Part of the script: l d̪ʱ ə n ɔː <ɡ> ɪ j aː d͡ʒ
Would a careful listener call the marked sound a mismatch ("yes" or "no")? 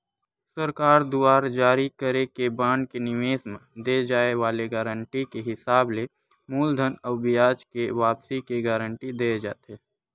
yes